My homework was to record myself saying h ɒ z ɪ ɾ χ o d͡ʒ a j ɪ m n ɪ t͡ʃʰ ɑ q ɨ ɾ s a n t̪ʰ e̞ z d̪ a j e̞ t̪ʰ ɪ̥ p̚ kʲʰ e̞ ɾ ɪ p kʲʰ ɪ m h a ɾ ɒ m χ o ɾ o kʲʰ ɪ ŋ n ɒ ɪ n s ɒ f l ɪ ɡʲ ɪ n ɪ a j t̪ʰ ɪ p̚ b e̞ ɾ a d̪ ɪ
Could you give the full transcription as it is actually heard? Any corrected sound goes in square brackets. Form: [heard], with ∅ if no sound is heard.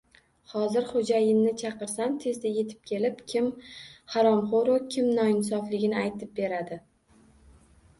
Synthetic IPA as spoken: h ɒ z ɪ ɾ χ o d͡ʒ a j ɪ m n ɪ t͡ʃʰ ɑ q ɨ ɾ s a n t̪ʰ e̞ z d̪ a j e̞ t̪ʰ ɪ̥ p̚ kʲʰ e̞ [l] ɪ p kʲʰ ɪ m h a ɾ ɒ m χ o ɾ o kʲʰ ɪ [m] n ɒ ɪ n s ɒ f l ɪ ɡʲ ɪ n ɪ a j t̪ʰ ɪ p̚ b e̞ ɾ a d̪ ɪ

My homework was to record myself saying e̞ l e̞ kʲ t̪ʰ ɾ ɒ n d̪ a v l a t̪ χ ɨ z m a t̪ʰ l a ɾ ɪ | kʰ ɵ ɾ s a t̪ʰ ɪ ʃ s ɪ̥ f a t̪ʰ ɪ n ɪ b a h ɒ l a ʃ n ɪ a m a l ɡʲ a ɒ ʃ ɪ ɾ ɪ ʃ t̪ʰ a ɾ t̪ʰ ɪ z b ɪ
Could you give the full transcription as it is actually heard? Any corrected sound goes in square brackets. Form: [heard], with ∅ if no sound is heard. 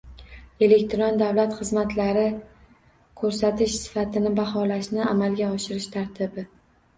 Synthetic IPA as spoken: e̞ l e̞ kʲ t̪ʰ ɾ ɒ n d̪ a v l a t̪ χ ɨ z m a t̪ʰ l a ɾ ɪ | kʰ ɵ ɾ s a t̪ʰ ɪ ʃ s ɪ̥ f a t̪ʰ ɪ n ɪ b a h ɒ l a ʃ n ɪ a m a l ɡʲ a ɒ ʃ ɪ ɾ ɪ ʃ t̪ʰ a ɾ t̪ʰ ɪ [∅] b ɪ

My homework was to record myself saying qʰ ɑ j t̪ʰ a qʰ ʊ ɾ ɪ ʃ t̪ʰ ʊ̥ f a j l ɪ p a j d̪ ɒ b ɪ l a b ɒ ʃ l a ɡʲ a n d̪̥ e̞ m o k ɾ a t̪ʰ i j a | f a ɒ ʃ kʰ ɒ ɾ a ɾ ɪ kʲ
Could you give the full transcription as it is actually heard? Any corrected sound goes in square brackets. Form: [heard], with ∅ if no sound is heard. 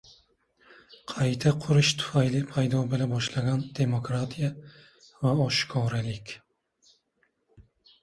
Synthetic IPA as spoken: qʰ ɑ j t̪ʰ a qʰ ʊ ɾ ɪ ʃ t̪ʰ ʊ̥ f a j l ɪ [pʰ] a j d̪ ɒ b ɪ l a b ɒ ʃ l a ɡʲ a n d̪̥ e̞ m o k ɾ a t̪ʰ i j a | [v] a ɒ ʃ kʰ ɒ ɾ a [l] ɪ kʲ

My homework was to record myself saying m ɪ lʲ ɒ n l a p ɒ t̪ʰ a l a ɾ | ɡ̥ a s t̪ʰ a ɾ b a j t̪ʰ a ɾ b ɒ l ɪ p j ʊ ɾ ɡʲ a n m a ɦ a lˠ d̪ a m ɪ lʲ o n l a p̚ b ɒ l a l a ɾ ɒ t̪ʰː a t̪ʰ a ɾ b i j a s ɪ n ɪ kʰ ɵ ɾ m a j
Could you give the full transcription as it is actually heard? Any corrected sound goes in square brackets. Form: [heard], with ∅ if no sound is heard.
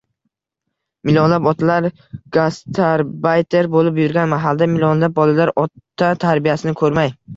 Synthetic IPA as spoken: m ɪ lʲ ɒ n l a p ɒ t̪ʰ a l a ɾ | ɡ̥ a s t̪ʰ a ɾ b a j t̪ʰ [e] ɾ b [o] l ɪ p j ʊ ɾ ɡʲ a n m a ɦ a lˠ d̪ a m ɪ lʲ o n l a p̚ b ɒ l a l a ɾ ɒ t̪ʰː a t̪ʰ a ɾ b i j a s ɪ n ɪ kʰ ɵ ɾ m a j

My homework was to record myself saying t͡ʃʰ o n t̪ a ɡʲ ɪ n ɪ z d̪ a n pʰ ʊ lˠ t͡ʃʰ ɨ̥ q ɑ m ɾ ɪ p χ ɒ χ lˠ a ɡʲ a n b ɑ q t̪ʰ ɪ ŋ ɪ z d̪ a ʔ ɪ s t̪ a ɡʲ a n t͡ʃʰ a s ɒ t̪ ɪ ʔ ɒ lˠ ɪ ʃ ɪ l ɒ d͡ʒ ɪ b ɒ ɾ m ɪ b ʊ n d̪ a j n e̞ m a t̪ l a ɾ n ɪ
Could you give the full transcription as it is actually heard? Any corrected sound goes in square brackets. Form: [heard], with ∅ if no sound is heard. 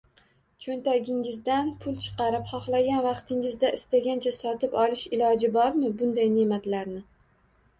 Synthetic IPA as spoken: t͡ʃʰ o n t̪ a ɡʲ ɪ [ŋ] ɪ z d̪ a n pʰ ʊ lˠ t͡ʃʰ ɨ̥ q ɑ [∅] ɾ ɪ p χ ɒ χ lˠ a ɡʲ a n [v] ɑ q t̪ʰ ɪ ŋ ɪ z d̪ a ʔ ɪ s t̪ a ɡʲ a n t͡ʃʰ a s ɒ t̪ ɪ [p] ɒ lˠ ɪ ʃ ɪ l ɒ d͡ʒ ɪ b ɒ ɾ m ɪ b ʊ n d̪ a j n e̞ m a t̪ l a ɾ n ɪ

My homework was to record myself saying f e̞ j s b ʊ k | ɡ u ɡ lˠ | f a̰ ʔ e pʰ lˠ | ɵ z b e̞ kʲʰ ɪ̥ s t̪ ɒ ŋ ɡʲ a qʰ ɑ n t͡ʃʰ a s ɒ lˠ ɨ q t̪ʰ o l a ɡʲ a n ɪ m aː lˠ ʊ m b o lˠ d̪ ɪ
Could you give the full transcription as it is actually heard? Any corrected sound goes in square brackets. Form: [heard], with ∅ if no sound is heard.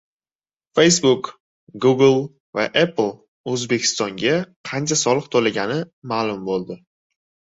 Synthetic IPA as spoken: f e̞ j s b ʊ k | ɡ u ɡ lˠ | [v] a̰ ʔ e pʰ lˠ | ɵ z b e̞ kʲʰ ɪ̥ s t̪ ɒ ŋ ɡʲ a qʰ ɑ n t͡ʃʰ a s ɒ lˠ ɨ q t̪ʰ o l a ɡʲ a n ɪ m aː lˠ ʊ m b o lˠ d̪ ɪ

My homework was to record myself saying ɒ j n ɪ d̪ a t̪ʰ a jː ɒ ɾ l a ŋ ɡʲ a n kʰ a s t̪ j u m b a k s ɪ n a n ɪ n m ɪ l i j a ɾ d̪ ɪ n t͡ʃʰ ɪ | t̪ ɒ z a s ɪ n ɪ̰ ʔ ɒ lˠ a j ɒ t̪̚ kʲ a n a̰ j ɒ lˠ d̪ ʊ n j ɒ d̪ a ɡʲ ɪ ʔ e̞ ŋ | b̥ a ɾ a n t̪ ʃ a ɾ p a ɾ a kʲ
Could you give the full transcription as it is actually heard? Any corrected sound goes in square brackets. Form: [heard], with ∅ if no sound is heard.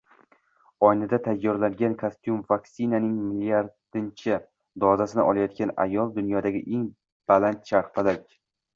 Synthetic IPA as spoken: ɒ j n ɪ d̪ a t̪ʰ a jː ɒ ɾ l a ŋ ɡʲ a n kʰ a s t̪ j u m [v] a k s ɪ n a n ɪ [ŋ] m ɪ l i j a ɾ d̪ ɪ n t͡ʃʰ ɪ | [d̪] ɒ z a s ɪ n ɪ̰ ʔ ɒ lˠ a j ɒ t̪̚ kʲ a n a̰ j ɒ lˠ d̪ ʊ n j ɒ d̪ a ɡʲ ɪ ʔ e̞ ŋ | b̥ a [l] a n t̪ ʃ a ɾ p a [l] a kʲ

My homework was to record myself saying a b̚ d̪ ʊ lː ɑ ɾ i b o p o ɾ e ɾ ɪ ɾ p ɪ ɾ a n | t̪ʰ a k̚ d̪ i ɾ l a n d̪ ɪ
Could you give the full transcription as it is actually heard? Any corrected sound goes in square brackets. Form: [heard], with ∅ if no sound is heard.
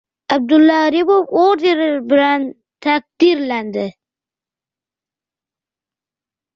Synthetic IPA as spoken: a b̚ d̪ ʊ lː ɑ ɾ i b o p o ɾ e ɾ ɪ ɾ [b] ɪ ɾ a n | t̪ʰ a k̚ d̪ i ɾ l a n d̪ ɪ

